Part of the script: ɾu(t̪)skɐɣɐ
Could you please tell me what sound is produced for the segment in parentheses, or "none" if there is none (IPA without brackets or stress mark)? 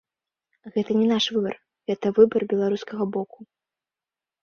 none